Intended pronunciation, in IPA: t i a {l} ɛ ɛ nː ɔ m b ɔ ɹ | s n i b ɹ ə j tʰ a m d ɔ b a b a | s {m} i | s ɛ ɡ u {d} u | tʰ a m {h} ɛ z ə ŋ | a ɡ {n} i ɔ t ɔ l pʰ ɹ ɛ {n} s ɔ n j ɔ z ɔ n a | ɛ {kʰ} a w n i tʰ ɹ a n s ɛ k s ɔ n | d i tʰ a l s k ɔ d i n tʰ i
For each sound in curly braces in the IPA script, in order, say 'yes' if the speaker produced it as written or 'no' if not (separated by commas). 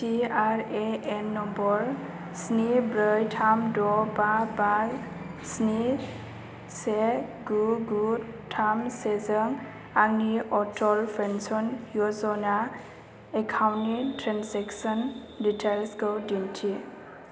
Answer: no, no, no, no, yes, yes, yes